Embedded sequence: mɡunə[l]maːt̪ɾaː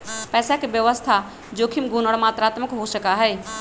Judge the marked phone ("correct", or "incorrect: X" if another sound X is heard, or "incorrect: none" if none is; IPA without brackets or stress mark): incorrect: ɽ